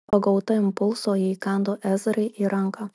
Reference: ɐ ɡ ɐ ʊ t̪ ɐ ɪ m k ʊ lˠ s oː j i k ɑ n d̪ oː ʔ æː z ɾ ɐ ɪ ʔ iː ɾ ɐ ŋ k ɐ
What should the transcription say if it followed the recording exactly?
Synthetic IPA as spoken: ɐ ɡ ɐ ʊ t̪ ɐ ɪ m p ʊ lˠ s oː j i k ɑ n d̪ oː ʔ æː z ɾ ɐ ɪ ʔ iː ɾ ɐ ŋ k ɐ